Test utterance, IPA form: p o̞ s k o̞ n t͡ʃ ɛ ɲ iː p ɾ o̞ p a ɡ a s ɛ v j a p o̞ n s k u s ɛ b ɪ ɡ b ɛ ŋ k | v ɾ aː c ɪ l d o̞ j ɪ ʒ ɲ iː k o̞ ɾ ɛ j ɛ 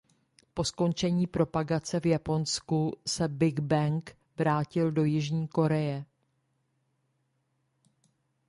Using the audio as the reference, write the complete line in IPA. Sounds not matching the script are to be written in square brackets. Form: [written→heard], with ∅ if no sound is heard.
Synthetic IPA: p o̞ s k o̞ n t͡ʃ ɛ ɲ iː p ɾ o̞ p a ɡ a [s→t͡s] ɛ v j a p o̞ n s k u s ɛ b ɪ ɡ b ɛ ŋ k | v ɾ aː c ɪ l d o̞ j ɪ ʒ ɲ iː k o̞ ɾ ɛ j ɛ